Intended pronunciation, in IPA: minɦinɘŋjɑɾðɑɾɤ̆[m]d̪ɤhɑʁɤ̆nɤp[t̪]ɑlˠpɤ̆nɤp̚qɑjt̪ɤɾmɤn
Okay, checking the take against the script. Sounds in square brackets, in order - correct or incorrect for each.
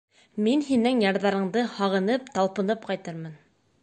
incorrect: ɴ, correct

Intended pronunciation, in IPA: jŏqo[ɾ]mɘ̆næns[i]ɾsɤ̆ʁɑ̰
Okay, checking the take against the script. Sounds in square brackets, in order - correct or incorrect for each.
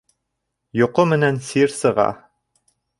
incorrect: none, correct

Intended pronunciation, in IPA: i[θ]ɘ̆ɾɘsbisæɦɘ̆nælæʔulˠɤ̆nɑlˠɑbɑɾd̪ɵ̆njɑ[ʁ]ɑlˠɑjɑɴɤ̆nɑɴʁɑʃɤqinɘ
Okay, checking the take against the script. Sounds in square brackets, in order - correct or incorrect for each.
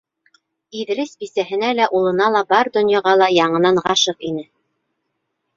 incorrect: ð, correct

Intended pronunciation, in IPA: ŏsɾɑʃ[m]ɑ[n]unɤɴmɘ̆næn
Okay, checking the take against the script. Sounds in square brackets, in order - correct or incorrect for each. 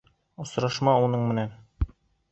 correct, incorrect: none

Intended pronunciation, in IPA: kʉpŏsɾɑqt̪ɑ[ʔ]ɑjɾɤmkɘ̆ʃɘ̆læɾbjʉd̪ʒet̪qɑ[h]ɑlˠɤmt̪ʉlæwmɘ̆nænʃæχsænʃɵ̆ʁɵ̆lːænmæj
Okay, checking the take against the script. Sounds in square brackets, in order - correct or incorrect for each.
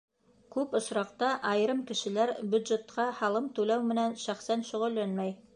correct, correct

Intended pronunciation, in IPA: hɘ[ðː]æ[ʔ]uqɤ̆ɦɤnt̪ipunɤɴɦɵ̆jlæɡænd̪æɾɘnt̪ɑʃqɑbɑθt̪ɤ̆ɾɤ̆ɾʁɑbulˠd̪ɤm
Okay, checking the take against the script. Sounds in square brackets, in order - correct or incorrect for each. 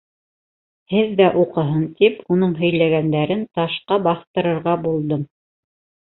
correct, correct

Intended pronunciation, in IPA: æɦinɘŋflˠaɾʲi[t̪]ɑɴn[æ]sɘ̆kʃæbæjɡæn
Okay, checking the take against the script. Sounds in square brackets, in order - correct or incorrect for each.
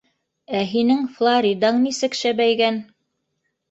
incorrect: d̪, incorrect: i

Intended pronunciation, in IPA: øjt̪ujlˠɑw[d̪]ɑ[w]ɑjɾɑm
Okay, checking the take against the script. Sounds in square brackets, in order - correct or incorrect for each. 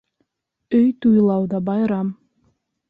correct, incorrect: b

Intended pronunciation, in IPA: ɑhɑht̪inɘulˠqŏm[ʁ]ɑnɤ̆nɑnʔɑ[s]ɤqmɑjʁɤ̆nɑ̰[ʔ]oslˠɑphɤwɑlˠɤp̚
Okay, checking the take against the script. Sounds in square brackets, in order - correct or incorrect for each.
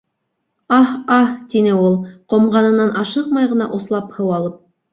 correct, incorrect: ʃ, correct

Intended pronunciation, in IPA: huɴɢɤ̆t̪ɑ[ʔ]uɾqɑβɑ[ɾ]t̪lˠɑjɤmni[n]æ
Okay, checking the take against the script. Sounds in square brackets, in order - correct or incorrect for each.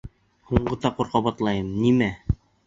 incorrect: q, incorrect: none, incorrect: m

